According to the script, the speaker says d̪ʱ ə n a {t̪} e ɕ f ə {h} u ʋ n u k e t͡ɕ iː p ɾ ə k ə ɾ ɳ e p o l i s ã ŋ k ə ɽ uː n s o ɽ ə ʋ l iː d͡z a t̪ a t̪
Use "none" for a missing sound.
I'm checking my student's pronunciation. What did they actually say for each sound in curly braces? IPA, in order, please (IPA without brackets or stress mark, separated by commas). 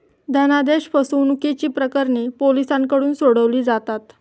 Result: d̪, s